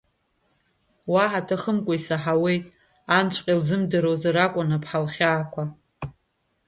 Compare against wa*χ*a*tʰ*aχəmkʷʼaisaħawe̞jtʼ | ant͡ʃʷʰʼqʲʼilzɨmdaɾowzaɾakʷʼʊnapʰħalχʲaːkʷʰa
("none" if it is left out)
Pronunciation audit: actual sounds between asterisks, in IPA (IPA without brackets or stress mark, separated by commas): ħ, tʰ